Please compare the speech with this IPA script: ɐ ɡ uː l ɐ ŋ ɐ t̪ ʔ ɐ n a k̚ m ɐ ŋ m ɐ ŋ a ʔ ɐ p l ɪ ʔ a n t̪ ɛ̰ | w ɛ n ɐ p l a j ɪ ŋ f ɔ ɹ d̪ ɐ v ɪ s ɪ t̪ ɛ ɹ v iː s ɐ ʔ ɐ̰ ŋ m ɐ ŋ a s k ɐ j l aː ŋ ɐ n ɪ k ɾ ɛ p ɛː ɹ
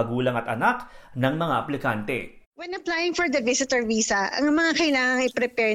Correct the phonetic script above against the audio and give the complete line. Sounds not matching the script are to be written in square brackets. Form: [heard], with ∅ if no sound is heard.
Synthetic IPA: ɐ ɡ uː l ɐ ŋ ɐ t̪ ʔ ɐ n a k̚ [n] ɐ ŋ m ɐ ŋ a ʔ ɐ p l ɪ [k] a n t̪ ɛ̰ | w ɛ n ɐ p l a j ɪ ŋ f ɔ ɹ d̪ ɐ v ɪ s ɪ t̪ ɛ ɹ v iː s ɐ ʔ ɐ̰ ŋ m ɐ ŋ a [∅] k ɐ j l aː ŋ ɐ [ŋ] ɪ [p] ɾ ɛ p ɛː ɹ